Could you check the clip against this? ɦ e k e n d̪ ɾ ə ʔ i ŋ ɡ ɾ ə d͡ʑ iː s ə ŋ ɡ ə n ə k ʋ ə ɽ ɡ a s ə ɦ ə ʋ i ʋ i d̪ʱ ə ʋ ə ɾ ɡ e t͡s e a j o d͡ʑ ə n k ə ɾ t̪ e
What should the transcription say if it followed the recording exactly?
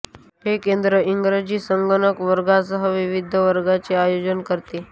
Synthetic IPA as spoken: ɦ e k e n d̪ ɾ ə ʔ i ŋ ɡ ɾ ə d͡ʑ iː s ə ŋ ɡ ə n ə k ʋ ə ɾ ɡ a s ə ɦ ə ʋ i ʋ i d̪ʱ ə ʋ ə ɾ ɡ a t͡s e a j o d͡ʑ ə n k ə ɾ t̪ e